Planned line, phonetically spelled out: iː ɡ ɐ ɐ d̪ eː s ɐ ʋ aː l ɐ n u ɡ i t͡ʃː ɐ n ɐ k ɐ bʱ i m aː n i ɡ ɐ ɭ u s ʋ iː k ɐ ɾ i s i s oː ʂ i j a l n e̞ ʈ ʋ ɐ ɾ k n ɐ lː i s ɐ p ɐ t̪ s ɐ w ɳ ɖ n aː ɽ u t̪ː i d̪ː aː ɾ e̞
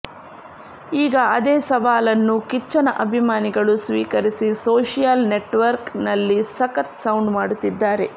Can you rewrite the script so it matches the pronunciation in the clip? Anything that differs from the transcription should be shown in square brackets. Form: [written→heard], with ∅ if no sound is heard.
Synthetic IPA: iː ɡ ɐ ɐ d̪ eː s ɐ ʋ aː l ɐ [n→nː] u [ɡ→k] i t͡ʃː ɐ n ɐ [k→ʔ] ɐ bʱ i m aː n i ɡ ɐ ɭ u s ʋ iː k ɐ ɾ i s i s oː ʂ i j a l n e̞ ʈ ʋ ɐ ɾ k n ɐ lː i s ɐ [p→k] ɐ t̪ s ɐ w ɳ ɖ [n→m] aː ɽ u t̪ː i d̪ː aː ɾ e̞